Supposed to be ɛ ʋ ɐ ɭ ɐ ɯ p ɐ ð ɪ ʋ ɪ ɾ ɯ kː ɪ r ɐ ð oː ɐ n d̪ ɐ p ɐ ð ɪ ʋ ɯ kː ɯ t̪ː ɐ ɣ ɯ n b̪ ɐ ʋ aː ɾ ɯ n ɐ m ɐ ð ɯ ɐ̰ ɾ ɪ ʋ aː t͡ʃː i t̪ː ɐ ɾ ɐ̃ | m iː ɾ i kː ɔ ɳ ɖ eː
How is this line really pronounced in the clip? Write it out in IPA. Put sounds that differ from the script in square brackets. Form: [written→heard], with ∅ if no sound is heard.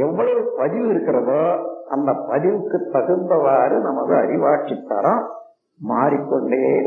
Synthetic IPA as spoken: ɛ [ʋ→ʋː] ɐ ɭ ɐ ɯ p ɐ ð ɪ ʋ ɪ ɾ ɯ kː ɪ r ɐ ð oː ɐ n d̪ ɐ p ɐ ð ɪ ʋ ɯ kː ɯ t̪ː ɐ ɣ ɯ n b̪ ɐ ʋ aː ɾ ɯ n ɐ m ɐ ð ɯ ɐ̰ ɾ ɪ ʋ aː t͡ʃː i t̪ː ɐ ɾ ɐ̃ | m [iː→aː] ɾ i kː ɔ ɳ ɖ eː